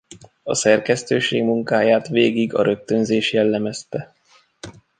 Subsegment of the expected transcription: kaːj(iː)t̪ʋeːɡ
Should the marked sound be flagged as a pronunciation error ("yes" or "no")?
yes